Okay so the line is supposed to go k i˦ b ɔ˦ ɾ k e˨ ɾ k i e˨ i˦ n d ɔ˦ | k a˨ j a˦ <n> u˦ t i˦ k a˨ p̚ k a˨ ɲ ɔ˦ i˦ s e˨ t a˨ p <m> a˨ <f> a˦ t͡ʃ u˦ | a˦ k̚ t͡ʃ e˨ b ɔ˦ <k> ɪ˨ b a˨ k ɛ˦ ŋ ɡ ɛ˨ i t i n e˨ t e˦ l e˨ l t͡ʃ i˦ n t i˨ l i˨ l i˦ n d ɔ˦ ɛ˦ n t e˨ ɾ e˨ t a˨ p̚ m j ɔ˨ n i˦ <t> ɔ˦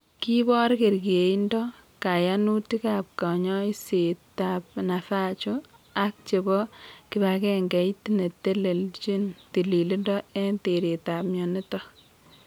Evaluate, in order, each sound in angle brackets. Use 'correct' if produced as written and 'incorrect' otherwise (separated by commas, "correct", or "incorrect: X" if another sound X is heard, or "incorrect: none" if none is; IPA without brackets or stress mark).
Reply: correct, incorrect: n, correct, correct, correct